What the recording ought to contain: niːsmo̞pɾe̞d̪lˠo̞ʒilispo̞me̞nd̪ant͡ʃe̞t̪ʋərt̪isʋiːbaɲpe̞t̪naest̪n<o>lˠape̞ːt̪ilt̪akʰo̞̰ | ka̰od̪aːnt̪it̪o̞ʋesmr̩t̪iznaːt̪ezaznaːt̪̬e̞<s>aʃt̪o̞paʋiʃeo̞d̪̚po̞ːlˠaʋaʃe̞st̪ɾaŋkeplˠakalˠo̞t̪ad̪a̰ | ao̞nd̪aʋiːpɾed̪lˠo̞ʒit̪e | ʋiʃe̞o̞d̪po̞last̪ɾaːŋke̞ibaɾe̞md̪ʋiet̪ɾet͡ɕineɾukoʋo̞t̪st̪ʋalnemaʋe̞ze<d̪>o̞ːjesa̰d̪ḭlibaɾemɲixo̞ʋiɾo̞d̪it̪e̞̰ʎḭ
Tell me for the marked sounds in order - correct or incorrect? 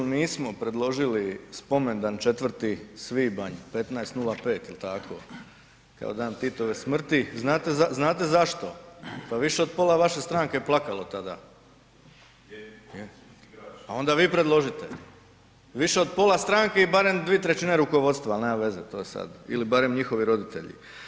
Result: incorrect: u, incorrect: z, incorrect: t̪

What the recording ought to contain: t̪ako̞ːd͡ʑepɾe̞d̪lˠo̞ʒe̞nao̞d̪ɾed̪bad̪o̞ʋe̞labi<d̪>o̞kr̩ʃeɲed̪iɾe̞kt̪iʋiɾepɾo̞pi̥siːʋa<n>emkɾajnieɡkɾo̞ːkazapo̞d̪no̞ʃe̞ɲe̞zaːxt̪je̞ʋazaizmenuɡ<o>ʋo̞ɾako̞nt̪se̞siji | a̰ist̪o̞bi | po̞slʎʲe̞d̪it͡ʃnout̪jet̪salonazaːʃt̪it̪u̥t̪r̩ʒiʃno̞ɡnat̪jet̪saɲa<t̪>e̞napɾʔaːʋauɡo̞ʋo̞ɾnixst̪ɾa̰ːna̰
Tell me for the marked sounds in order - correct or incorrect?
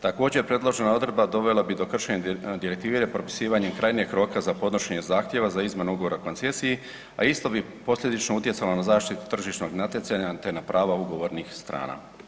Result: correct, incorrect: ɲ, correct, correct

